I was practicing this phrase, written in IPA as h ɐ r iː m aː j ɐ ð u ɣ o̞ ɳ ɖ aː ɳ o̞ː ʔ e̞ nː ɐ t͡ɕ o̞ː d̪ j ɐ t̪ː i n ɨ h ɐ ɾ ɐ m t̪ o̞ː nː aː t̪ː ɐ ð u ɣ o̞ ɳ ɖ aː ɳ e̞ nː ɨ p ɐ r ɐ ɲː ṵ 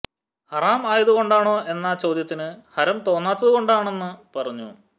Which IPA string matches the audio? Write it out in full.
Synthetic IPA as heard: h ɐ r aː m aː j ɐ ð u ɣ o̞ ɳ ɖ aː ɳ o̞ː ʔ e̞ nː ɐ t͡ɕ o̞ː d̪ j ɐ t̪ː i n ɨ h ɐ ɾ ɐ m t̪ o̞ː nː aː t̪ː ɐ ð u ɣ o̞ ɳ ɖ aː ɳ e̞ nː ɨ p ɐ r ɐ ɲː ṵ